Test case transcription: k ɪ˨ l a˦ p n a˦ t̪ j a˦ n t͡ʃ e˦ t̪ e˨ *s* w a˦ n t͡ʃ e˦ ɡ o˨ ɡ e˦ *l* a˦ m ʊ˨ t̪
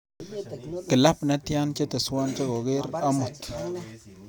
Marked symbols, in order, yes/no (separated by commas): yes, no